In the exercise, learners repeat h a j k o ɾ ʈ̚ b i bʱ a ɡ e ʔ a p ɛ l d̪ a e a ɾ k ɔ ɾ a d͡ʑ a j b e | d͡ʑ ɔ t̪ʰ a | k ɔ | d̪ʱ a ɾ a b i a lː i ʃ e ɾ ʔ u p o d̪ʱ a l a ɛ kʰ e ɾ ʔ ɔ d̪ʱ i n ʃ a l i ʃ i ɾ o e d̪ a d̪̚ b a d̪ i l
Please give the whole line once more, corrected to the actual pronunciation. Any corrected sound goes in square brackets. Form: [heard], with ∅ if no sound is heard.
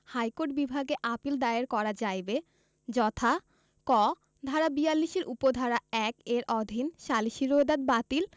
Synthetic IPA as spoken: h a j k o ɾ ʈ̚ b i bʱ a ɡ e ʔ a p [i] l d̪ a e [e] ɾ k ɔ ɾ a d͡ʑ a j b e | d͡ʑ ɔ t̪ʰ a | k ɔ | d̪ʱ a ɾ a b i a lː i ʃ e ɾ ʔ u p o d̪ʱ a [ɾ] a ɛ [k] e ɾ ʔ ɔ d̪ʱ i n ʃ a l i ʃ i ɾ o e d̪ a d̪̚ b a [t̪] i l